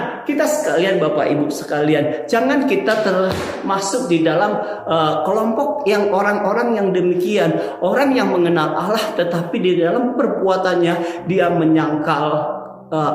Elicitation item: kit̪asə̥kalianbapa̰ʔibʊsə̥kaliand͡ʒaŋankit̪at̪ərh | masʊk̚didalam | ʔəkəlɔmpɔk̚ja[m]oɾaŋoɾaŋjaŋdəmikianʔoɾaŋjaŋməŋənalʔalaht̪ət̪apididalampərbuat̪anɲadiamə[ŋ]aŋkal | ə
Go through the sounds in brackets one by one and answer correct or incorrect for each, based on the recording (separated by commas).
incorrect, incorrect